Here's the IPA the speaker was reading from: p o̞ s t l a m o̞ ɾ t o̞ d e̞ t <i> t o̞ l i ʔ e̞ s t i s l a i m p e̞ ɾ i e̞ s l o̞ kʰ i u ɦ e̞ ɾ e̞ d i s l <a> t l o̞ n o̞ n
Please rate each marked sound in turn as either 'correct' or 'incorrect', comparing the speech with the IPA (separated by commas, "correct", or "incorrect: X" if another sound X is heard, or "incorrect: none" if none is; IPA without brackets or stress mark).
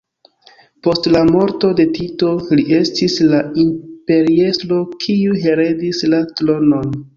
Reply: correct, correct